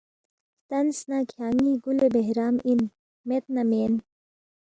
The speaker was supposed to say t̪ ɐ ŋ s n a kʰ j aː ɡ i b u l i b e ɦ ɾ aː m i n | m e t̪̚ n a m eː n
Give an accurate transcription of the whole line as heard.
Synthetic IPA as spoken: t̪ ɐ n s n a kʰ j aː ŋ i ɡ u l e b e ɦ ɾ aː m i n | m e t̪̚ n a m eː n